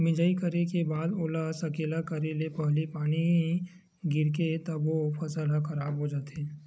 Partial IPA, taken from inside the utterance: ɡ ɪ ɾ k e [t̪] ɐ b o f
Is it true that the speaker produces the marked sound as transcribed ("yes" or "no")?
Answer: yes